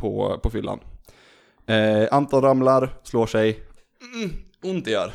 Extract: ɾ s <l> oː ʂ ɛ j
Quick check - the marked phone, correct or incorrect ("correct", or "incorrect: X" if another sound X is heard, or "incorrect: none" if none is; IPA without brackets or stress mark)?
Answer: correct